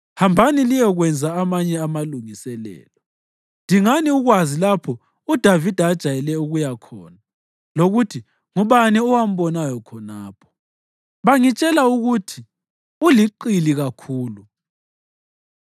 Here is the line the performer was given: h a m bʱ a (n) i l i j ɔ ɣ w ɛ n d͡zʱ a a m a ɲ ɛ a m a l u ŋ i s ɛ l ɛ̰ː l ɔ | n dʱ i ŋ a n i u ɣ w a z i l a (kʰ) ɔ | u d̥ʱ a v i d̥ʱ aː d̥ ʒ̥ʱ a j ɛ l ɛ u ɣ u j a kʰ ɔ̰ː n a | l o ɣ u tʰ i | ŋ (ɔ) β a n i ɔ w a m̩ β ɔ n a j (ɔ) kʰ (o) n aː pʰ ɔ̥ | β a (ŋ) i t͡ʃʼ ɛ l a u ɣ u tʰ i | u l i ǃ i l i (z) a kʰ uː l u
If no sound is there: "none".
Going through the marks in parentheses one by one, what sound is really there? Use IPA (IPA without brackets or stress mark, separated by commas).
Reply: n, pʰ, u, ɔ, ɔ, ŋ, ɣ